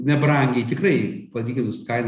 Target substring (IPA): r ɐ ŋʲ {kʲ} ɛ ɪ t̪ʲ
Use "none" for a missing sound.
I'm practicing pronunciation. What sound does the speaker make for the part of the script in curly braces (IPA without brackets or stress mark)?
ɡʲ